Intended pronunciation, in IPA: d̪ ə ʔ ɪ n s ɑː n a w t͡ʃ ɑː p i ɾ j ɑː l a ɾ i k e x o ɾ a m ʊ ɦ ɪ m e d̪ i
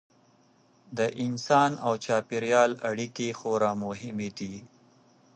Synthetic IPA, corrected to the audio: d̪ ə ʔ ɪ n s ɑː n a w t͡ʃ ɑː p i ɾ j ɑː l a ɽ i k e x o ɾ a m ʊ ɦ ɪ m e d̪ i